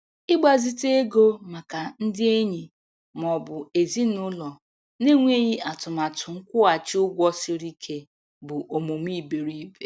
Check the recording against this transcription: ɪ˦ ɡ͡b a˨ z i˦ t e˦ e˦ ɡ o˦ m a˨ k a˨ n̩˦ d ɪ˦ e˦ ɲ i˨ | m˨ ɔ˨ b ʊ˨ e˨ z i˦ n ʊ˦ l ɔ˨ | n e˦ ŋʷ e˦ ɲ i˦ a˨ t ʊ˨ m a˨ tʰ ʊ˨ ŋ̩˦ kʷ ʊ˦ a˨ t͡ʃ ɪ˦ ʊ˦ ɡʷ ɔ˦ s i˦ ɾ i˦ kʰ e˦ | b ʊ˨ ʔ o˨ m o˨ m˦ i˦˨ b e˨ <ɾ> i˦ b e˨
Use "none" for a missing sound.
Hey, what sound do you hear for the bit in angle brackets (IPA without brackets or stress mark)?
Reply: ɾ